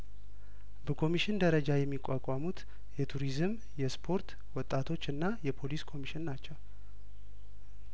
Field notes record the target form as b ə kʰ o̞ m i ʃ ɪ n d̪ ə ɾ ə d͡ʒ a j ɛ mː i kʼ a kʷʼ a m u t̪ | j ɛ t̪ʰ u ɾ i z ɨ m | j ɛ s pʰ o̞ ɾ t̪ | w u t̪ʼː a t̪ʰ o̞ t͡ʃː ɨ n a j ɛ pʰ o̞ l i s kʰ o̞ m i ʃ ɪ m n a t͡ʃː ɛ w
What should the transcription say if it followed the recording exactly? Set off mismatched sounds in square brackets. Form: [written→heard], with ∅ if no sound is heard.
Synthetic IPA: b ə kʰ o̞ m i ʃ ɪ n d̪ ə ɾ ə d͡ʒ a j ɛ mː i kʼ a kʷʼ a m u t̪ | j ɛ t̪ʰ u ɾ i z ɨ m | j ɛ s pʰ o̞ ɾ t̪ | w [u→ɔ] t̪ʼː a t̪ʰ o̞ t͡ʃː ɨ [n→nː] a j ɛ pʰ o̞ l i s kʰ o̞ m i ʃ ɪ [m→n] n a t͡ʃː ɛ w